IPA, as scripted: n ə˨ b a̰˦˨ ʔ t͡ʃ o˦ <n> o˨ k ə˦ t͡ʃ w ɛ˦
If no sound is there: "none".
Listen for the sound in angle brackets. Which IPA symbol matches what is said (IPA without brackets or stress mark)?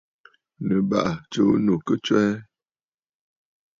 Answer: n